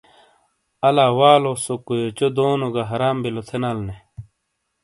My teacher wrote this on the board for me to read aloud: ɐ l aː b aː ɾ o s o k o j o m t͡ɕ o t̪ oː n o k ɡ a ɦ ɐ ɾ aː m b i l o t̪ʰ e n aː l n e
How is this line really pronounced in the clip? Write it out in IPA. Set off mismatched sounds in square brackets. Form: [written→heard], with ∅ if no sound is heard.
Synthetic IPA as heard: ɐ l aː [b→w] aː [ɾ→l] o s o k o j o [m→∅] t͡ɕ o [t̪→d̪] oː n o [k→∅] ɡ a ɦ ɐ ɾ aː m b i l o t̪ʰ e n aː l n e